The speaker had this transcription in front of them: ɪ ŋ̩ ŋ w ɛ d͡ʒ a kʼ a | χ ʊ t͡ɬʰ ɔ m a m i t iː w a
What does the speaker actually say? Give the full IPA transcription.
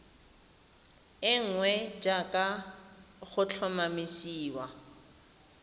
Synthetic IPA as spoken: ɪ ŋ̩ ŋ w ɛ d͡ʒ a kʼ a | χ ʊ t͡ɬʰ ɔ m a m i s iː w a